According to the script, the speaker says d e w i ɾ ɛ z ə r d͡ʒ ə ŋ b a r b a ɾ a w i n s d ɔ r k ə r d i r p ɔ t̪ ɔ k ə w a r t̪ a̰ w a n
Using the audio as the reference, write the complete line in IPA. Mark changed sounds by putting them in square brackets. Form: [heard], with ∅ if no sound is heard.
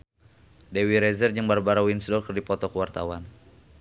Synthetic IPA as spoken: d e w i ɾ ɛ z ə r d͡ʒ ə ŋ b a r b a ɾ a w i n s d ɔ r k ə r d i [∅] p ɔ t̪ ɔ k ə w a r t̪ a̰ w a n